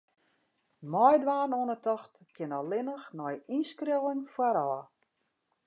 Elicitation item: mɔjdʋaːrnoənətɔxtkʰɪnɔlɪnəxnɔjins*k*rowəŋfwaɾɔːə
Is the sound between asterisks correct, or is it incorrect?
correct